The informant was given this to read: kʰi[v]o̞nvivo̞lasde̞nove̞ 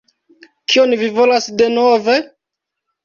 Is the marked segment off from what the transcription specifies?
yes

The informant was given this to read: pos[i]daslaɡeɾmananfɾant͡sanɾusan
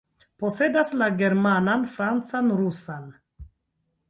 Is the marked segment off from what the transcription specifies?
yes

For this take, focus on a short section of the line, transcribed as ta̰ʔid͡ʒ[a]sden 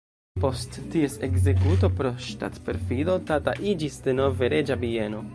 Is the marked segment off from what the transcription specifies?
yes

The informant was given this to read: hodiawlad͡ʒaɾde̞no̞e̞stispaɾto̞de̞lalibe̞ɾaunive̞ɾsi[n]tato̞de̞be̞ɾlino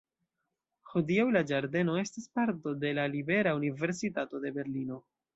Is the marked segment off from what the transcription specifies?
yes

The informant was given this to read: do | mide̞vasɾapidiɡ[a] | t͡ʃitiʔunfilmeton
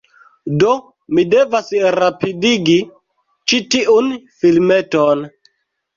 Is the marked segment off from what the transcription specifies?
yes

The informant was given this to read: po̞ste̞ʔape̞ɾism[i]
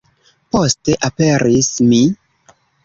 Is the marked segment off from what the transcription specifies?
no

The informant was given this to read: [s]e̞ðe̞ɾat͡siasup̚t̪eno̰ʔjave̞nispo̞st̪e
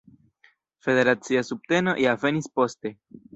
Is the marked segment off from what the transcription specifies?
yes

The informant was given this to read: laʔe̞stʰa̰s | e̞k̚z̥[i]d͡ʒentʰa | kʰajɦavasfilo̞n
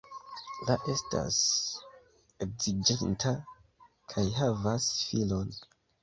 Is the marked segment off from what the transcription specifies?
no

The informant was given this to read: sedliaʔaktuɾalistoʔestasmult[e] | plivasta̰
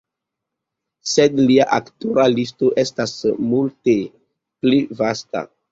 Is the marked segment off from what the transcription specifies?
no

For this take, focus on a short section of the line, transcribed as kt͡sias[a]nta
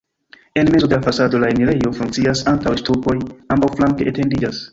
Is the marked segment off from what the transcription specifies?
no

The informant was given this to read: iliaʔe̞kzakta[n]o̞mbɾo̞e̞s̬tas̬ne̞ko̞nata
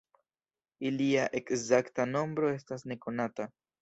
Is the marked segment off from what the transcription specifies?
no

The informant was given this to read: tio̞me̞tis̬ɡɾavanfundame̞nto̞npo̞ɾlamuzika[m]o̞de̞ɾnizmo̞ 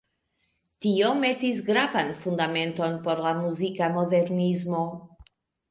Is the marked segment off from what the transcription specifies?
no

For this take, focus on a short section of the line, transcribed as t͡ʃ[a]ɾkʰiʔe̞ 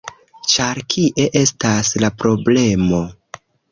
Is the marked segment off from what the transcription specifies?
no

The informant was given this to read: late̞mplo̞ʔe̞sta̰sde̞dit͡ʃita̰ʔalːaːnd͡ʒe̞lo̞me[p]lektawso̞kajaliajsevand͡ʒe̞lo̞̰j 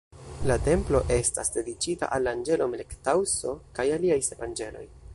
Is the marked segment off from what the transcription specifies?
yes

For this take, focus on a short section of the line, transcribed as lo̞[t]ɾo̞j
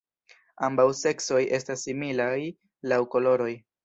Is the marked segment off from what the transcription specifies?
yes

